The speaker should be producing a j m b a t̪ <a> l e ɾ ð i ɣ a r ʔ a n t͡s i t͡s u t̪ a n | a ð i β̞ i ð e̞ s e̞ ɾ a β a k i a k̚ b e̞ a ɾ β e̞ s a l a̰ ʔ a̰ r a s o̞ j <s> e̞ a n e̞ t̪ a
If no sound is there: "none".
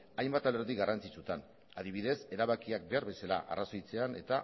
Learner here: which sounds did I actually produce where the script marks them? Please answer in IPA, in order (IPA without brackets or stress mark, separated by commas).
a, t͡s